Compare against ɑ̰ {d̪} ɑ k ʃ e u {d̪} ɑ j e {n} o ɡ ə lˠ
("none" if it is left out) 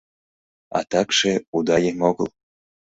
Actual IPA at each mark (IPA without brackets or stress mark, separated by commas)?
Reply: t̪, d̪, m